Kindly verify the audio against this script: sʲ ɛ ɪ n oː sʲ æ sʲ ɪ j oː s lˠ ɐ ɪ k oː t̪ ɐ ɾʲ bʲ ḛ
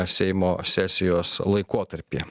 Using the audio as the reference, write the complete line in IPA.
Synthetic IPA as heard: sʲ ɛ ɪ m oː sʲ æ sʲ ɪ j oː s lˠ ɐ ɪ k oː t̪ ɐ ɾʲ pʲ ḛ

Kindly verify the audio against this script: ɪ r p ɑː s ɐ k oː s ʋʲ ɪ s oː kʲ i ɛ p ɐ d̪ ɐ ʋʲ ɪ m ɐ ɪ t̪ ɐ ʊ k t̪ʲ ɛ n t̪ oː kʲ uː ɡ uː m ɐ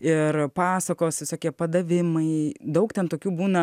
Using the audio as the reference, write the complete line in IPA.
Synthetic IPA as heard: ɪ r p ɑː s ɐ k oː s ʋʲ ɪ s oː kʲ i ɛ p ɐ d̪ ɐ ʋʲ ɪ m ɐ ɪ d̪ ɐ ʊ k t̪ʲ ɛ n t̪ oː kʲ uː b uː n ɐ

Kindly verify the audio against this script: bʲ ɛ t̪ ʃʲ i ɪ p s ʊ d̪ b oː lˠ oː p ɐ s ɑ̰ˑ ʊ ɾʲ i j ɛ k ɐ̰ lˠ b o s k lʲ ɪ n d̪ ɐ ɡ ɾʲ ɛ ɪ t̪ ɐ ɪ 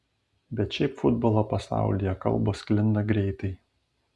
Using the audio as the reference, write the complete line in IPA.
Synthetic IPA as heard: bʲ ɛ t̪ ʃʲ ɛ ɪ p f ʊ d̪ b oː lˠ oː p ɐ s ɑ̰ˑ ʊ lʲ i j ɛ k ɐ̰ lˠ b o s k lʲ ɪ n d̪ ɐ ɡ ɾʲ ɛ ɪ t̪ ɐ ɪ

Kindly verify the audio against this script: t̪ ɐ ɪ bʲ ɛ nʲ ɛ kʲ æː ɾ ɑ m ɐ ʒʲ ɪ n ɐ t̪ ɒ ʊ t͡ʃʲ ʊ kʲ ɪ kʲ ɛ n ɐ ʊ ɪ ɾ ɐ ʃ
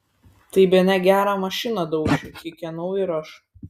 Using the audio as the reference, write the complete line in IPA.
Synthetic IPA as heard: t̪ ɐ ɪ bʲ ɛ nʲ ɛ ɡʲ æː ɾ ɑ m ɐ ʃʲ ɪ n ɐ d̪ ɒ ʊ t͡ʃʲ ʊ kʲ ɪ kʲ ɛ n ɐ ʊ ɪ ɾ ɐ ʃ

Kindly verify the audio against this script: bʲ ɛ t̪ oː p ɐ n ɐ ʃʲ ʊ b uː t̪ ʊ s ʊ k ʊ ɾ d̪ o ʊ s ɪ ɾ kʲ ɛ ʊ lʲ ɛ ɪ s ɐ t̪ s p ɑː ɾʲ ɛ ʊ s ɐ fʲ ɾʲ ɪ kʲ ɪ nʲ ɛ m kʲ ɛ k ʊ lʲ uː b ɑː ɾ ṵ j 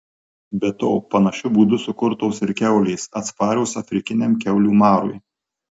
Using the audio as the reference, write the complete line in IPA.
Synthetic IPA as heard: bʲ ɛ t̪ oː p ɐ n ɐ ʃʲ ʊ b uː d̪ ʊ s ʊ k ʊ ɾ t̪ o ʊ s ɪ ɾ kʲ ɛ ʊ lʲ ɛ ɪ s ɐ t̪ s p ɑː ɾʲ ɛ ʊ s ɐ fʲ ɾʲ ɪ kʲ ɪ nʲ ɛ m kʲ ɛ ʊ lʲ uː m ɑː ɾ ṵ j

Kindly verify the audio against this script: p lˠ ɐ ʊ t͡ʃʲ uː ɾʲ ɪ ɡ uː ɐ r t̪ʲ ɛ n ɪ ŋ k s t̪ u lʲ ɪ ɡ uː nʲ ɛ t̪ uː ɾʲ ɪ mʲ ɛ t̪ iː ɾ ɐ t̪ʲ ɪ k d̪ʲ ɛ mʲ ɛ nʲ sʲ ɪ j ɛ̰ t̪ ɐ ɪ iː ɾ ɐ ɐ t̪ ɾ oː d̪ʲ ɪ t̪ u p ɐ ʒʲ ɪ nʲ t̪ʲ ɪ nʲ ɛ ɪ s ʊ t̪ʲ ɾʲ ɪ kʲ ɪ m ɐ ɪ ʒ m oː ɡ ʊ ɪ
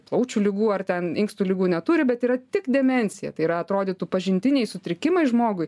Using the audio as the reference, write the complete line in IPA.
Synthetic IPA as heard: p lˠ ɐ ʊ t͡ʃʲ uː lʲ ɪ ɡ uː ɐ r t̪ʲ ɛ n ɪ ŋ k s t̪ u lʲ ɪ ɡ uː nʲ ɛ t̪ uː ɾʲ ɪ bʲ ɛ t̪ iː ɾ ɐ t̪ʲ ɪ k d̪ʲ ɛ mʲ ɛ nʲ sʲ ɪ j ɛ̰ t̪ ɐ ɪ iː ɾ ɐ ɐ t̪ ɾ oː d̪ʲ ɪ t̪ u p ɐ ʒʲ ɪ nʲ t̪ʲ ɪ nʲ ɛ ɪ s ʊ t̪ʲ ɾʲ ɪ kʲ ɪ m ɐ ɪ ʒ m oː ɡ ʊ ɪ

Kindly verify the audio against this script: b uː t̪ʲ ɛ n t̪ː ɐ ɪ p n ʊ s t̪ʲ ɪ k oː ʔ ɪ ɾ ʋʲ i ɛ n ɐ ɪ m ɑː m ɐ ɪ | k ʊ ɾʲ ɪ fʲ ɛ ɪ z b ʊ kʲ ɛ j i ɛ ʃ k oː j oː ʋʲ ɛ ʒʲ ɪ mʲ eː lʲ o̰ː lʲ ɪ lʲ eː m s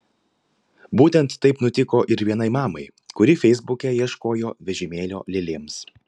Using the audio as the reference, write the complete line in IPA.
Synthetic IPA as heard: b uː t̪ʲ ɛ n t̪ː ɐ ɪ p n ʊ t̪ʲ ɪ k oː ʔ ɪ ɾ ʋʲ i ɛ n ɐ ɪ m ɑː m ɐ ɪ | k ʊ ɾʲ ɪ fʲ ɛ ɪ z b ʊ kʲ ɛ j i ɛ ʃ k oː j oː ʋʲ ɛ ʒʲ ɪ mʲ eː lʲ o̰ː lʲ ɪ lʲ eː m s

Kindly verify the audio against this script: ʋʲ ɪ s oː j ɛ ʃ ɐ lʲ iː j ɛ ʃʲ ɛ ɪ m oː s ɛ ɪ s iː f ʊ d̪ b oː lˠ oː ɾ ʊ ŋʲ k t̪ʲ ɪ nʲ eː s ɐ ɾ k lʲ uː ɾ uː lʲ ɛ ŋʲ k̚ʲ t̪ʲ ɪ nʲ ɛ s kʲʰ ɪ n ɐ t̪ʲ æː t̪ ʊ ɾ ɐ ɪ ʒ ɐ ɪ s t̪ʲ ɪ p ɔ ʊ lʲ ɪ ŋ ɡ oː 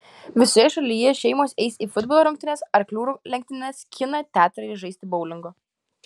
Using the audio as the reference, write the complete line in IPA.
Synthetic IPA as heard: ʋʲ ɪ s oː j ɛ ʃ ɐ lʲ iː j ɛ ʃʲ ɛ ɪ m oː s ɛ ɪ s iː f ʊ d̪ b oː lˠ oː ɾ ʊ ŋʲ k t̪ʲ ɪ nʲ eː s ɐ ɾ k lʲ uː ɾ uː lʲ ɛ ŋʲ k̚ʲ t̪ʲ ɪ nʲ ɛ s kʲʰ ɪ n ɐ t̪ʲ æː t̪ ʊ ɾ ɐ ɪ ʒ ɐ ɪ s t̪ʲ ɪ b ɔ ʊ lʲ ɪ ŋ ɡ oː

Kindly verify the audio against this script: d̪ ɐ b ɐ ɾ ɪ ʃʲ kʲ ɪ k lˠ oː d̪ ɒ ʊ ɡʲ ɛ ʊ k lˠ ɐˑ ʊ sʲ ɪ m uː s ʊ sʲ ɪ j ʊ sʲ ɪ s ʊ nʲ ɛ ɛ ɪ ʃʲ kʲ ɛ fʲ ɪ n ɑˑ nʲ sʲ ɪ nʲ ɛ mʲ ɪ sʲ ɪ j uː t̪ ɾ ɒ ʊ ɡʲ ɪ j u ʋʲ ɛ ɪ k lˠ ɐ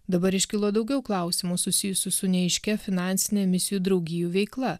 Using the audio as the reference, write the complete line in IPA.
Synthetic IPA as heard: d̪ ɐ b ɐ ɾ ɪ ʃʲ kʲ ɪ lˠ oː d̪ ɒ ʊ ɡʲ ɛ ʊ k lˠ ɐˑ ʊ sʲ ɪ m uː s ʊ sʲ ɪ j ʊ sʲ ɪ s ʊ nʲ ɛ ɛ ɪ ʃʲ kʲ ɛ fʲ ɪ n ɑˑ nʲ sʲ ɪ nʲ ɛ mʲ ɪ sʲ ɪ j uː d̪ ɾ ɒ ʊ ɡʲ ɪ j u ʋʲ ɛ ɪ k lˠ ɐ

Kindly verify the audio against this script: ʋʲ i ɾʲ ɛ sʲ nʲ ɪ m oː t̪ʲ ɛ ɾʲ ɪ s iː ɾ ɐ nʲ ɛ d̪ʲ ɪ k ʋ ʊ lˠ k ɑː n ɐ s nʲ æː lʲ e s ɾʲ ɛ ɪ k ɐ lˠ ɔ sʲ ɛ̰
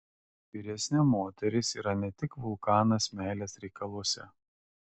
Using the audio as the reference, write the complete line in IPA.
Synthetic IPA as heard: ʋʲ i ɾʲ ɛ sʲ nʲ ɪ m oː t̪ʲ ɛ ɾʲ ɪ s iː ɾ ɐ nʲ ɛ t̪ʲ ɪ k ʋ ʊ lˠ k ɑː n ɐ s mʲ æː lʲ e s ɾʲ ɛ ɪ k ɐ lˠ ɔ sʲ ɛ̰

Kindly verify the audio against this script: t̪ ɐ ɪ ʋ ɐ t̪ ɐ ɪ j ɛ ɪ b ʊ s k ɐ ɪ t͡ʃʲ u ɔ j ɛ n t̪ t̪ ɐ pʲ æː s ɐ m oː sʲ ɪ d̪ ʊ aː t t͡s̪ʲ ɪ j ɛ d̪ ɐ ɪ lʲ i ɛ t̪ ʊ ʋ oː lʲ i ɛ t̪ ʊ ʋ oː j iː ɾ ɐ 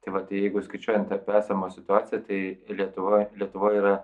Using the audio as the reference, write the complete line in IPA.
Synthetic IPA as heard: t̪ ɐ ɪ ʋ ɐ t̪ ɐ ɪ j ɛ ɪ ɡ ʊ s k ɐ ɪ t͡ʃʲ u ɔ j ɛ n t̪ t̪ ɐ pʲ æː s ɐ m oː sʲ ɪ t̪ ʊ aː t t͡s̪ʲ ɪ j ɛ t̪ ɐ ɪ lʲ i ɛ t̪ ʊ ʋ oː lʲ i ɛ t̪ ʊ ʋ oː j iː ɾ ɐ

